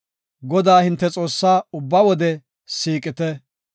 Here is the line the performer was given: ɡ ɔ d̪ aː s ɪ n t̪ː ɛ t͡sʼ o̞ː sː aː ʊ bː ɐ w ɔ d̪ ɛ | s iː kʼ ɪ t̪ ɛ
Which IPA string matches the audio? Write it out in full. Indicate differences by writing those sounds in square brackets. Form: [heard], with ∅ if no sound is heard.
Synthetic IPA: ɡ ɔ d̪ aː [h] ɪ n t̪ː ɛ t͡sʼ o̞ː sː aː ʊ bː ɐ w ɔ d̪ ɛ | s iː kʼ ɪ t̪ ɛ